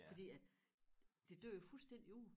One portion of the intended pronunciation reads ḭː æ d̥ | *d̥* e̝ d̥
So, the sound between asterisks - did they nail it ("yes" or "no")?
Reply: yes